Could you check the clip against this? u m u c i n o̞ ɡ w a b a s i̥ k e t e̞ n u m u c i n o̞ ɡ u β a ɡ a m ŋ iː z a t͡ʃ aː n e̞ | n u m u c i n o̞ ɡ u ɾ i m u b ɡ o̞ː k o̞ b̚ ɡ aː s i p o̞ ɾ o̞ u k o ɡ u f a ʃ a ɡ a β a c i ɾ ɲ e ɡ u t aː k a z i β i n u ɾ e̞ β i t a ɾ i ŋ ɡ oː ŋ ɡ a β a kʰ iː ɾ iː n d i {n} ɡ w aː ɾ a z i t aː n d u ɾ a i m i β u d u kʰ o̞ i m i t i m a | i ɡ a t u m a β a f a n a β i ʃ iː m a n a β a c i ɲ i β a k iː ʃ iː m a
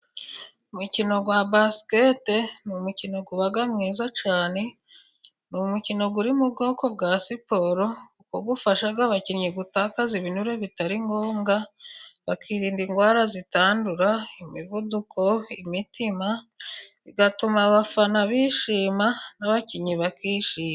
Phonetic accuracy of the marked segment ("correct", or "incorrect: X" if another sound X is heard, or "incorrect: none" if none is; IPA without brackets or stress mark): incorrect: ŋ